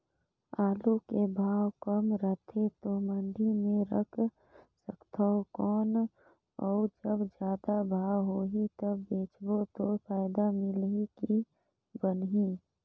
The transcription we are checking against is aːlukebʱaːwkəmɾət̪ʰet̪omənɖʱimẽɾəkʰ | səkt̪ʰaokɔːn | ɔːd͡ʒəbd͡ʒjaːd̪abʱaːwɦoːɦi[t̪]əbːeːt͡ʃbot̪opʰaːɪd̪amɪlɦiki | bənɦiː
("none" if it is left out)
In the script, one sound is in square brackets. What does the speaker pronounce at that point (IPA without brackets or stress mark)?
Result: t̪